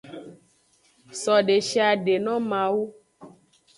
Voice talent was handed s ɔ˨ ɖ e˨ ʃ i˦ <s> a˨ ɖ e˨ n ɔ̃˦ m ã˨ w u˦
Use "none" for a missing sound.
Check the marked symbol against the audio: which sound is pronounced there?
none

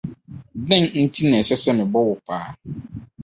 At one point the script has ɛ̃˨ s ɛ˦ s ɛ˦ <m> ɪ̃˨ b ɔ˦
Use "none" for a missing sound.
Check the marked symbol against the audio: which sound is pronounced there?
m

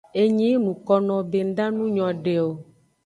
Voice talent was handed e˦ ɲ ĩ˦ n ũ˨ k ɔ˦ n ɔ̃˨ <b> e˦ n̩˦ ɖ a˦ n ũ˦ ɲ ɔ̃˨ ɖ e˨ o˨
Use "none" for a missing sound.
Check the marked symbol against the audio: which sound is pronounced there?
b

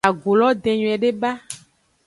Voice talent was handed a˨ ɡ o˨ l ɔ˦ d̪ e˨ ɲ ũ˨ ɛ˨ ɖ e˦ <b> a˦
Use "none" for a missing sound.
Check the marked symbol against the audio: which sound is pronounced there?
b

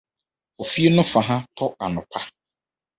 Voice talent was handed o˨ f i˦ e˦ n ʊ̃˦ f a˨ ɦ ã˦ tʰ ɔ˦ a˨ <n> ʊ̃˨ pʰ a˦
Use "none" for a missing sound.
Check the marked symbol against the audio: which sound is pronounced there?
n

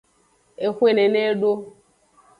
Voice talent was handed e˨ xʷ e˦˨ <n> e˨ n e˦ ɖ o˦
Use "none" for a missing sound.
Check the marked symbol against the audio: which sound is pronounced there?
n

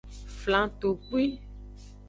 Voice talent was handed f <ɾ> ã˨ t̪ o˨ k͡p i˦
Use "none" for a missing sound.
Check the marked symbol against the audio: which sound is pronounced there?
l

